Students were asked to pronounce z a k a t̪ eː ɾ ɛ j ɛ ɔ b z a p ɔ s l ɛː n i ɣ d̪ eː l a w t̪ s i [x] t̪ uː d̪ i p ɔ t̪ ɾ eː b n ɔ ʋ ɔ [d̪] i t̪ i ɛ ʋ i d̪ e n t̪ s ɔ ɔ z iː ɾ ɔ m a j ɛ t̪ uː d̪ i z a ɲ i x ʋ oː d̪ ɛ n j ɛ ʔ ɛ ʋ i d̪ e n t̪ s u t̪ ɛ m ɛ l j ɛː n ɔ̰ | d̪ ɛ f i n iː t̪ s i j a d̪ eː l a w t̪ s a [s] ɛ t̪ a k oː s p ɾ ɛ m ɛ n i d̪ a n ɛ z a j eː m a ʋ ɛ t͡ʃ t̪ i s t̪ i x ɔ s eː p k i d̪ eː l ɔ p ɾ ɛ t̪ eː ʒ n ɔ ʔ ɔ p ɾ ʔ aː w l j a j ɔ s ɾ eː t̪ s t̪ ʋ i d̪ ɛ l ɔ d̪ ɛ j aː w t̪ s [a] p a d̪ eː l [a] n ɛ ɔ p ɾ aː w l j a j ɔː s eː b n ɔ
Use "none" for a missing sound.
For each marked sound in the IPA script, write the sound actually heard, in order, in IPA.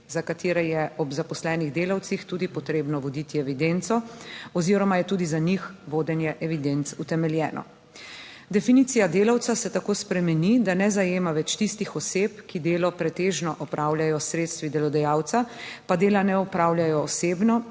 x, d̪, s, a, a

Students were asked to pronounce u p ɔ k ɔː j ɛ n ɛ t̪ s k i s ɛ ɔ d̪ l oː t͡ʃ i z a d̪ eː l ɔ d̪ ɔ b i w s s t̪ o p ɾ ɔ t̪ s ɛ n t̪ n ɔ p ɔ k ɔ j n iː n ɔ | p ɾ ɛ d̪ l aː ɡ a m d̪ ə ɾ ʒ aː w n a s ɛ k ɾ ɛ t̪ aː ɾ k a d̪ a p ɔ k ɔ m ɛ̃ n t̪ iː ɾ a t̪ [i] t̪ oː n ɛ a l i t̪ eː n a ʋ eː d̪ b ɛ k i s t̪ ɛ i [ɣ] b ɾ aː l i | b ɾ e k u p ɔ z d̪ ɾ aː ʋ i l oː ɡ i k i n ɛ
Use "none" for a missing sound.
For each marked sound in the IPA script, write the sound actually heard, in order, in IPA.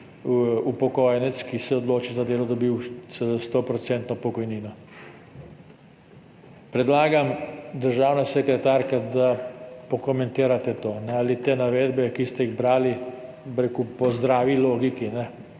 ɛ, ɣ

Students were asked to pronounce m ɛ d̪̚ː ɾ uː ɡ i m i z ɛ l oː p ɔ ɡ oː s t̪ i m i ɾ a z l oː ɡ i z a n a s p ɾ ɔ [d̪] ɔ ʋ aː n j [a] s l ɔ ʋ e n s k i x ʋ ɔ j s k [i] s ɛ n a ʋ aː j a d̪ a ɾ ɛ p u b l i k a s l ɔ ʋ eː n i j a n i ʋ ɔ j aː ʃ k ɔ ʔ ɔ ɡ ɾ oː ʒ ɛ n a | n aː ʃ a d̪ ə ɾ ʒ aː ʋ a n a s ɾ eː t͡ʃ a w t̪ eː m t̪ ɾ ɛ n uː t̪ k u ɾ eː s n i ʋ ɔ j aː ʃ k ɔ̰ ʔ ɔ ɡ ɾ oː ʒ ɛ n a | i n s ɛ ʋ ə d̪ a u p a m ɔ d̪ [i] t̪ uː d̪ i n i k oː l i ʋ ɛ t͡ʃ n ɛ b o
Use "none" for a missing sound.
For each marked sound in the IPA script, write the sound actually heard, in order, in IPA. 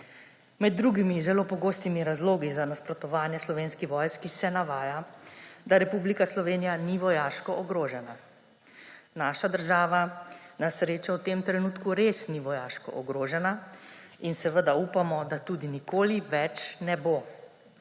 t̪, ɛ, i, a

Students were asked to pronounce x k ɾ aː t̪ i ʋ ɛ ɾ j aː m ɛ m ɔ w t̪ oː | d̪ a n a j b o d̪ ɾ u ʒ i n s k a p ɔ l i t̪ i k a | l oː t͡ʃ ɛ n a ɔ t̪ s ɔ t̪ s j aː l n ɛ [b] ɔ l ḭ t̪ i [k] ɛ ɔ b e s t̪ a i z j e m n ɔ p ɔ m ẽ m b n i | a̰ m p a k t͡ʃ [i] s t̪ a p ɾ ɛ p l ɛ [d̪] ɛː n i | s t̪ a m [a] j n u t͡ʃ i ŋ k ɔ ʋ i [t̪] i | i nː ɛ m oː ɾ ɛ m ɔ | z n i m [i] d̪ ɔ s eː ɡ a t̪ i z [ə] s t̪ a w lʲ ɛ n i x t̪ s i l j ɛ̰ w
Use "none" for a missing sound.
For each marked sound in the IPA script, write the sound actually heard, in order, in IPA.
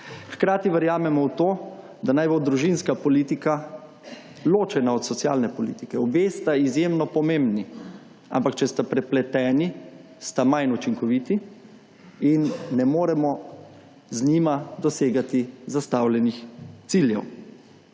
p, k, ɛ, t̪, a, t̪, a, a

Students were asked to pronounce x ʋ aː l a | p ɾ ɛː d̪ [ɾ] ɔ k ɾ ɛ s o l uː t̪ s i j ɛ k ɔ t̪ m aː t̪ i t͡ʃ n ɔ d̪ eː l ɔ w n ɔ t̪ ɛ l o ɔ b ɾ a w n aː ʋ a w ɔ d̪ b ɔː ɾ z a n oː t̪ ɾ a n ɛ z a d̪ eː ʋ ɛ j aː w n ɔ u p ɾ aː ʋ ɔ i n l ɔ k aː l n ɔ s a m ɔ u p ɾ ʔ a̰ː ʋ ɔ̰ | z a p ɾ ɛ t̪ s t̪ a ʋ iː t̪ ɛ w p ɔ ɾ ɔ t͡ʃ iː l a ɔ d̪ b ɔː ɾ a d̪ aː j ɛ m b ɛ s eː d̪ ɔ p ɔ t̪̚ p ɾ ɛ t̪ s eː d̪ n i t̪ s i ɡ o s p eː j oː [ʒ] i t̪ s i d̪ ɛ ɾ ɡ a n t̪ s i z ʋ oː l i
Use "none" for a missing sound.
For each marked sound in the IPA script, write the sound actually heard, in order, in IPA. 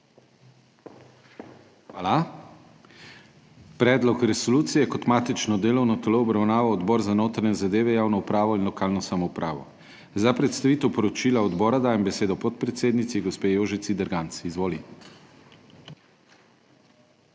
l, ʒ

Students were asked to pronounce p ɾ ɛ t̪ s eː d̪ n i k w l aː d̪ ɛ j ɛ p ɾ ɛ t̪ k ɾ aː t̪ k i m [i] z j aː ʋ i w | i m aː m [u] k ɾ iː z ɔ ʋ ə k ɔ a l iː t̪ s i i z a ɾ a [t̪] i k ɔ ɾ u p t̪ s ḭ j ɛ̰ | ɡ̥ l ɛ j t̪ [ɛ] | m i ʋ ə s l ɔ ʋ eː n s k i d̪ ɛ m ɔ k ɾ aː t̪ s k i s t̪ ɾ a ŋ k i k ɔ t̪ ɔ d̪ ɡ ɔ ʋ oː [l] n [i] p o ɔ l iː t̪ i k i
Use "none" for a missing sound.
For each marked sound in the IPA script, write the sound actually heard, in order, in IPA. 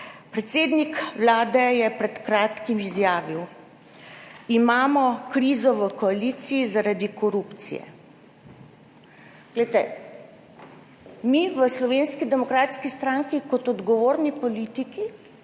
i, ɔ, d̪, ɛ, ɾ, i

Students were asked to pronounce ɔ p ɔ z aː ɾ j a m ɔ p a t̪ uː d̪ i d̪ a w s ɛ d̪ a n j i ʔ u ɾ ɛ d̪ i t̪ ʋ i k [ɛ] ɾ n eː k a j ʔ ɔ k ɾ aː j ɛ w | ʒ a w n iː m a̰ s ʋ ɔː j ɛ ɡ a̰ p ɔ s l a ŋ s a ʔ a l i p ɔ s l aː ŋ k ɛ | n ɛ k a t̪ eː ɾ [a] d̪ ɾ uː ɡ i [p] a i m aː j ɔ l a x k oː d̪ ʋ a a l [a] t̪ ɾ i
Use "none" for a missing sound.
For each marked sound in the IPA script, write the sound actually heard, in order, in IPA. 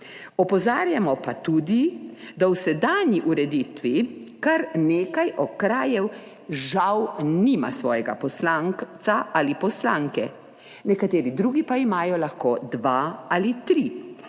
a, i, p, i

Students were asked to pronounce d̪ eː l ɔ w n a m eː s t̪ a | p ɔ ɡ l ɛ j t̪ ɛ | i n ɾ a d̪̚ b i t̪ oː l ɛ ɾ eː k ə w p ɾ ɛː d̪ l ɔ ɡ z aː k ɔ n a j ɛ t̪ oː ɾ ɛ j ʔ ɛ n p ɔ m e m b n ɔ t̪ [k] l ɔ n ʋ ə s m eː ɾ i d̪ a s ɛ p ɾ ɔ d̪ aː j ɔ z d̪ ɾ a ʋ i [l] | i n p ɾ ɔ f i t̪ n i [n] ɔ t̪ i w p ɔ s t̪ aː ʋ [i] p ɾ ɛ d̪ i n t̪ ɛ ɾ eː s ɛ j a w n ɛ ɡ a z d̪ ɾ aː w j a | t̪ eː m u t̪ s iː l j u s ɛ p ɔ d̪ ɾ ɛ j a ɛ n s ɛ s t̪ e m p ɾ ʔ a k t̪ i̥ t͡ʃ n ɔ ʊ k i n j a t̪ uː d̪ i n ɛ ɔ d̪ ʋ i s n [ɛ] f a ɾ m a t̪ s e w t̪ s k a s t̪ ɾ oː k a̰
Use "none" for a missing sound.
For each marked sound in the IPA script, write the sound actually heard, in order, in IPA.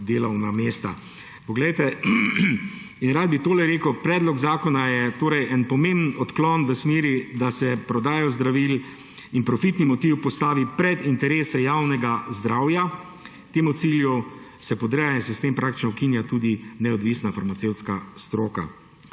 k, l, m, i, a

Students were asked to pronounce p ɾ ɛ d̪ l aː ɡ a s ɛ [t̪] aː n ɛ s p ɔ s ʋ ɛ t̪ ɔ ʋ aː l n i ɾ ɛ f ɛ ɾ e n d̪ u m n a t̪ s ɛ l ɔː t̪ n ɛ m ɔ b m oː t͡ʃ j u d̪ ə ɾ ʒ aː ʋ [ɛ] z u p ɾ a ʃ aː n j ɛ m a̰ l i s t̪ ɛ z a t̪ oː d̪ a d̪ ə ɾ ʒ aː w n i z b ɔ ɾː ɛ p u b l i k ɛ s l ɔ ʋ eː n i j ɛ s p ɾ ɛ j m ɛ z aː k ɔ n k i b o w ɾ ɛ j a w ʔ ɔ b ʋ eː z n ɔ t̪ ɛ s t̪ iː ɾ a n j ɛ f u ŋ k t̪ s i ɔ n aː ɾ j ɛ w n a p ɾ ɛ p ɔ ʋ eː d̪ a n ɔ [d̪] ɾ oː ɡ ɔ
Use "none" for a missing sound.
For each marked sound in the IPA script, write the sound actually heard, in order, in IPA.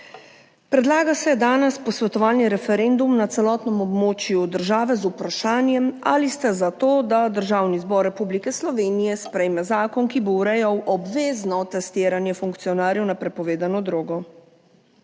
d̪, ɛ, d̪

